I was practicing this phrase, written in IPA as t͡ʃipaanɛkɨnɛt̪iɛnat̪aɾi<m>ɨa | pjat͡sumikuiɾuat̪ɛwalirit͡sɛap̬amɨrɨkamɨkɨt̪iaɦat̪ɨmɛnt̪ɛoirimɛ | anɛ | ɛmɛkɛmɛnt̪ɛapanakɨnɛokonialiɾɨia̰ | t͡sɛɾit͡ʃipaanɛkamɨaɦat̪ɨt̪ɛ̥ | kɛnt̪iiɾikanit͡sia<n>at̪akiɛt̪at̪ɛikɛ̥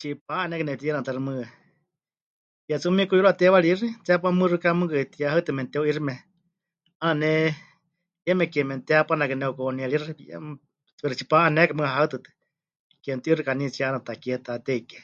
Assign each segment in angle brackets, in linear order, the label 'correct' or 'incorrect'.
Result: correct, correct

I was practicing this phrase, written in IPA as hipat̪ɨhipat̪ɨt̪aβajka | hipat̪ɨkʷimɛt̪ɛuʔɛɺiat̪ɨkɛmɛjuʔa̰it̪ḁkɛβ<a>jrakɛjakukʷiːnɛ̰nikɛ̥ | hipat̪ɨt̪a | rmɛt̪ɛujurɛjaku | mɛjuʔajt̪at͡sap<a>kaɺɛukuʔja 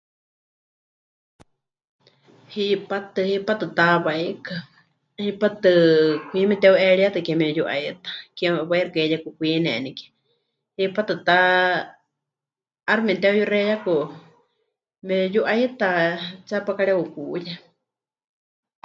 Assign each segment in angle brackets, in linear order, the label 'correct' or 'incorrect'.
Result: correct, correct

